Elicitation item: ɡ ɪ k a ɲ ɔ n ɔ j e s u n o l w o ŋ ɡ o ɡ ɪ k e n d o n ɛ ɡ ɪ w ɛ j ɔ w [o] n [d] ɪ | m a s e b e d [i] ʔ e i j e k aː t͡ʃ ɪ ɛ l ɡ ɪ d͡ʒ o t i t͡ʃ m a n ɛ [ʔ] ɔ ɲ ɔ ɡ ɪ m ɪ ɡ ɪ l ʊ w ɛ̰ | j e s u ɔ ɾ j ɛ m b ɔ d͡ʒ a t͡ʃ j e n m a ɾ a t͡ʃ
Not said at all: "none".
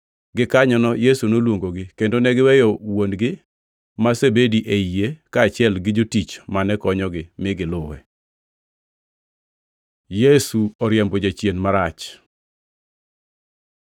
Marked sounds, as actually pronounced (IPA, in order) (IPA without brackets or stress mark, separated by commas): o, ɡ, i, k